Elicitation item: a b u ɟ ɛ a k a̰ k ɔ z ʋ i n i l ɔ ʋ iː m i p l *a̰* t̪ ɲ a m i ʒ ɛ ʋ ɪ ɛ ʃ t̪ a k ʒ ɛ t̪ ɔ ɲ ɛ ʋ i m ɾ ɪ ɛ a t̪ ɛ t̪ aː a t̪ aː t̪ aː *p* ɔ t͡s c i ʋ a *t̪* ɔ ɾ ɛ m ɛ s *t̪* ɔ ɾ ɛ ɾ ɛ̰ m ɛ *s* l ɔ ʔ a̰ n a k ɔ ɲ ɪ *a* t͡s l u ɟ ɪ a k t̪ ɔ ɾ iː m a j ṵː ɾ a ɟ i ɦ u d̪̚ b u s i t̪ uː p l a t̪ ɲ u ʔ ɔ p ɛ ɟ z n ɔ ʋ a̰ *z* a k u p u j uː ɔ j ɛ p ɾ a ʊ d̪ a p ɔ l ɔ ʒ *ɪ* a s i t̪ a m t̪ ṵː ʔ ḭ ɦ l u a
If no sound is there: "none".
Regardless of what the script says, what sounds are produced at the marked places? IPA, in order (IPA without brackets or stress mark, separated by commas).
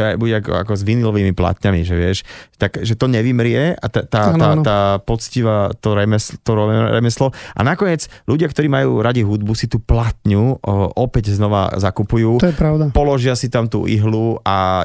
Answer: a̰, p, t̪, t̪, s, ɛ, z, ɪ